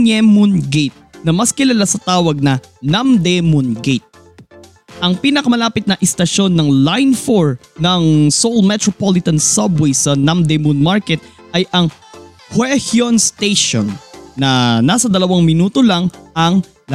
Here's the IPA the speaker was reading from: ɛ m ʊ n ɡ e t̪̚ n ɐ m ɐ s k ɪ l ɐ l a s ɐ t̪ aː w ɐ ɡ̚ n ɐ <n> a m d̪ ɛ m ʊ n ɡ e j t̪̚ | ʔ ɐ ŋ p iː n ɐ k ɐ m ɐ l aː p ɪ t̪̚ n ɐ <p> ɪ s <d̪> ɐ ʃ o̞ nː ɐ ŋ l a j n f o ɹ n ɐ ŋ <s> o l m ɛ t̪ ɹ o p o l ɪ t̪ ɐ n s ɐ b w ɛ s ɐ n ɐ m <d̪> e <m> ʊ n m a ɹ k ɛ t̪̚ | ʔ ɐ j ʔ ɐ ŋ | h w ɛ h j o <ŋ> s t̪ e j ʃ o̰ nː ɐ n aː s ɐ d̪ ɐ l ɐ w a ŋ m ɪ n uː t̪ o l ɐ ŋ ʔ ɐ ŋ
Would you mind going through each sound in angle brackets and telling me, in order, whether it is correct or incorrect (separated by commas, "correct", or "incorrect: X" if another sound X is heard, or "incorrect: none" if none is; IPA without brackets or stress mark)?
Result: correct, incorrect: ʔ, incorrect: t̪, correct, correct, correct, incorrect: n